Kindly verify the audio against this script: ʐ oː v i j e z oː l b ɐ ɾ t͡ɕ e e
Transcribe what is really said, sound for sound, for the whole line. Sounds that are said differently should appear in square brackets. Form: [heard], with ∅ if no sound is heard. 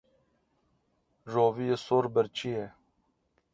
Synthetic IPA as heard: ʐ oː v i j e [s] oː [ɾ] b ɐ ɾ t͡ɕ [i] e